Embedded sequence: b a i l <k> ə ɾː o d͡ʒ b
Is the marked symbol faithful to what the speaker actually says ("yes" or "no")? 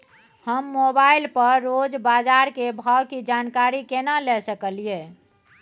no